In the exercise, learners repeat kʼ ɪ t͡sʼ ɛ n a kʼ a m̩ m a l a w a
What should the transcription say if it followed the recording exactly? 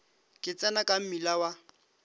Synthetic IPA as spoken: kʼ ɪ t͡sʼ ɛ n a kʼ a m̩ m i l a w a